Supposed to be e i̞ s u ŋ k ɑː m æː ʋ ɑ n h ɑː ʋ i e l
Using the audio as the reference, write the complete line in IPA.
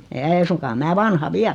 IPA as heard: e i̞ s u ŋ k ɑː m æː ʋ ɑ n h ɑ ʋ i æ l

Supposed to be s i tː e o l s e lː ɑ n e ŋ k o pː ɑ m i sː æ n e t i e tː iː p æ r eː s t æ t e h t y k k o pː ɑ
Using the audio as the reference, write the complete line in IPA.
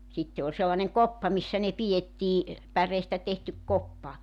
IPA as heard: s i tː e o l s e lː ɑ n e ŋ k o pː ɑ m i sː æ n e p i e tː iː p æ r eː s t æ t e h t y k k o pː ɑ

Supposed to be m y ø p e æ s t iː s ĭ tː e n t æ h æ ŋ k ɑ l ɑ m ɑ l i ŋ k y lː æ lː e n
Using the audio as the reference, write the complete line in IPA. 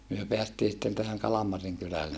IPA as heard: m y ø p e æ s t iː s ĭ tː e n t æ h æ ŋ k ɑ l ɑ m ɑ r i ŋ k y l æ lː e n

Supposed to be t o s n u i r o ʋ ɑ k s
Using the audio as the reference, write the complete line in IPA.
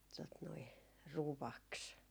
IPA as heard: t o t n o i r u ʋ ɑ k s

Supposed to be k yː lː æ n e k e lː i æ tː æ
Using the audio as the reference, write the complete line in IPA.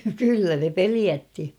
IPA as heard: k y lː æ n e p e l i æ tː i

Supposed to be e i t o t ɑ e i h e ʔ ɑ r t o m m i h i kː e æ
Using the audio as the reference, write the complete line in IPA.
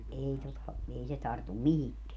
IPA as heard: e i t o t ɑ e i s e t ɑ r t u m m i h i kː e æ

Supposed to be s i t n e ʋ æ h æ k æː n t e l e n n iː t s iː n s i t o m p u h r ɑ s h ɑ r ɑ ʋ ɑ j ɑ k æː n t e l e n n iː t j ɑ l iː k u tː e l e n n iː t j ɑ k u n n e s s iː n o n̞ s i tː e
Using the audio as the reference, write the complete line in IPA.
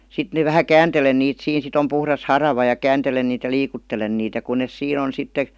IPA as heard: s i t n e ʋ æ h æ k æː n t e l e n n iː t s iː n s i t o m p u h r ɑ s h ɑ r ɑ ʋ ɑ j ɑ k æː n t e l e n n iː t j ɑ l iː k u tː e l e n n iː t j ɑ k u n n e s s iː n o n̞ s i tː e

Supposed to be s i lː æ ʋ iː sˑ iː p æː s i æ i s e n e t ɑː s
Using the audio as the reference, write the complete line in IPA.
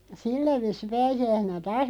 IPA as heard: s i lː æ ʋ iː sˑ i p æː s i æ i s e n æ t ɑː s

